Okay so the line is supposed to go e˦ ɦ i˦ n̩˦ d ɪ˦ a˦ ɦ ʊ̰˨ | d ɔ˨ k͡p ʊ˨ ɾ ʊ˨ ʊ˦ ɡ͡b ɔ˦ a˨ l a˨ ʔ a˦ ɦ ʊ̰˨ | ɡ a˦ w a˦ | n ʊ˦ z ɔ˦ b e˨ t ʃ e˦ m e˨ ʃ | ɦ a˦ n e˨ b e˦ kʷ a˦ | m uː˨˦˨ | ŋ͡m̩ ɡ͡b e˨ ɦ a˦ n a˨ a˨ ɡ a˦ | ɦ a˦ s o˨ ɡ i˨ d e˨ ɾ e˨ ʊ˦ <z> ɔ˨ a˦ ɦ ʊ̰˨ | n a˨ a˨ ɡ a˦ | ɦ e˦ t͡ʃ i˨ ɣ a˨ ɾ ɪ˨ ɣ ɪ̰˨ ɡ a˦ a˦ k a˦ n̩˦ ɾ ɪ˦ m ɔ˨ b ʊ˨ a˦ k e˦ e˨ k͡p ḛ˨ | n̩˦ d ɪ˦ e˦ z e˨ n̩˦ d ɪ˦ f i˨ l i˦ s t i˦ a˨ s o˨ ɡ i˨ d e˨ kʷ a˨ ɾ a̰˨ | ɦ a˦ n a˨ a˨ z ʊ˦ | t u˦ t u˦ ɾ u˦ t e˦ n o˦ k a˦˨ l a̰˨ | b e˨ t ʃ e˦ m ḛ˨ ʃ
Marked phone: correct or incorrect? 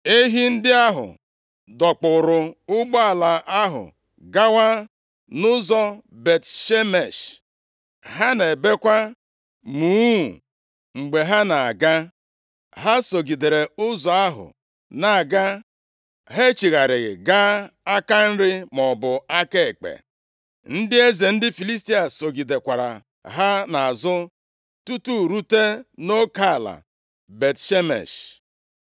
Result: correct